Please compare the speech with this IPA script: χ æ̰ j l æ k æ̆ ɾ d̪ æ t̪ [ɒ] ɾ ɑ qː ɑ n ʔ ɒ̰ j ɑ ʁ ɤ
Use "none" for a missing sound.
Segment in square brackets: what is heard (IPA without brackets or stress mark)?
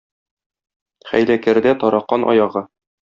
ɒ